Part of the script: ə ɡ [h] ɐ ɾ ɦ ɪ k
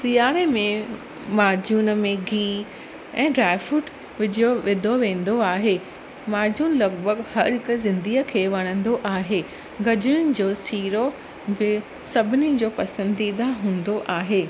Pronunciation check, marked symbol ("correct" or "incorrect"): correct